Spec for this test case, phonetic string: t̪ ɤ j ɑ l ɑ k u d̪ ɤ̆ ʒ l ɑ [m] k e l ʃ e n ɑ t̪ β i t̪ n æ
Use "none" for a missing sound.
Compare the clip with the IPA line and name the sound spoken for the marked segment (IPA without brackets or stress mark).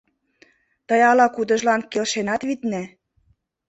n